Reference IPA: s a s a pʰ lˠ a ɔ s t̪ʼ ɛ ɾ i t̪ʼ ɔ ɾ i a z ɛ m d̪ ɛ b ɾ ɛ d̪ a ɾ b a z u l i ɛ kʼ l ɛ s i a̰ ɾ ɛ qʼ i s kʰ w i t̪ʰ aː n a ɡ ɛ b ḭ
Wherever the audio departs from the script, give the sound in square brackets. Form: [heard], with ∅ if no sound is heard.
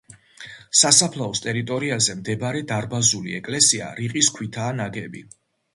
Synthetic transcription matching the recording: s a s a pʰ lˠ a ɔ s t̪ʼ ɛ ɾ i t̪ʼ ɔ ɾ i a z ɛ m d̪ ɛ b ɾ ɛ d̪ a ɾ b a z u l i ɛ kʼ l ɛ s i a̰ ɾ [i] qʼ i s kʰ w i t̪ʰ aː n a ɡ ɛ b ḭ